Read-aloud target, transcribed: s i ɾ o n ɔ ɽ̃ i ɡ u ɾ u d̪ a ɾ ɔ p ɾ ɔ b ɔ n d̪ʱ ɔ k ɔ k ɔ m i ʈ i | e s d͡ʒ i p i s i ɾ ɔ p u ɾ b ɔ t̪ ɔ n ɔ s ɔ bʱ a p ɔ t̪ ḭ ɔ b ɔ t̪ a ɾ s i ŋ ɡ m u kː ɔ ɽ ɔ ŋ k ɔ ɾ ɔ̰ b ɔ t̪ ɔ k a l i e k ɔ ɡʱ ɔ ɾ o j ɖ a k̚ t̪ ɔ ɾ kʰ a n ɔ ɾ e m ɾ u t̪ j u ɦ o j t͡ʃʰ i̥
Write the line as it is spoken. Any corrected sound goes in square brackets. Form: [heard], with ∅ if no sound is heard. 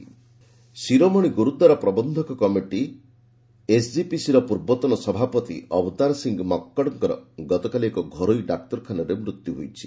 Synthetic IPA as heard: s i ɾ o [m] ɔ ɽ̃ i ɡ u ɾ u d̪ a ɾ ɔ p ɾ ɔ b ɔ n d̪ʱ ɔ k ɔ k ɔ m i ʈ i | e s d͡ʒ i p i s i ɾ ɔ p u ɾ b ɔ t̪ ɔ n ɔ s ɔ bʱ a p ɔ t̪ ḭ ɔ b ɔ t̪ a ɾ s i ŋ ɡ m [ɔ] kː ɔ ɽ ɔ ŋ k ɔ ɾ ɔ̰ [ɡ] ɔ t̪ ɔ k a l i e k ɔ ɡʱ ɔ ɾ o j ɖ a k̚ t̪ ɔ ɾ kʰ a n ɔ ɾ e m ɾ u t̪ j u ɦ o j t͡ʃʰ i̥